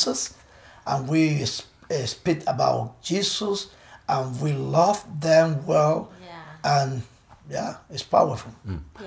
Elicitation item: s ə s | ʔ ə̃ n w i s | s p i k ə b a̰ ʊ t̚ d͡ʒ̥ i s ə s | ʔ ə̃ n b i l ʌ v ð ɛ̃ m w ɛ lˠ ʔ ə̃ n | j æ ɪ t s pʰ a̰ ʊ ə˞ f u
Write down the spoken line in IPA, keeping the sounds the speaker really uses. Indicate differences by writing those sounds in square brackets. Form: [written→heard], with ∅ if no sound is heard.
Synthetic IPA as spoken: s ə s | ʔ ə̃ n w i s | s p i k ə b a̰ ʊ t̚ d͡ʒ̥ i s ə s | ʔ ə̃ n [b→w] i l ʌ v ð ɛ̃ m w ɛ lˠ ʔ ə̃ n | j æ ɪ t s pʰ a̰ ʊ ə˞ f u